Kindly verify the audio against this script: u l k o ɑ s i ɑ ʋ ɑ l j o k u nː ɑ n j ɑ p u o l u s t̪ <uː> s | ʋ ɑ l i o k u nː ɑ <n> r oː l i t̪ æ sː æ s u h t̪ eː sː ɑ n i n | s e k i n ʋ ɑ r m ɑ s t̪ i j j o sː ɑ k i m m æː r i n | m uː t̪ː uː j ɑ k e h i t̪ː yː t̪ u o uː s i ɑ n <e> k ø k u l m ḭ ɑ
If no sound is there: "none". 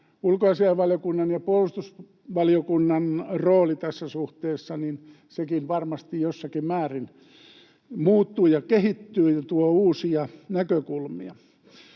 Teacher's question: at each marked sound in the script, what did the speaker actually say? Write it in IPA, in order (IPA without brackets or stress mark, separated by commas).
u, n, æ